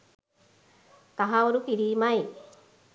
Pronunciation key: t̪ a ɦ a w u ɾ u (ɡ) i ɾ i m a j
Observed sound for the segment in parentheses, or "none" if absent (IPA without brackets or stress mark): k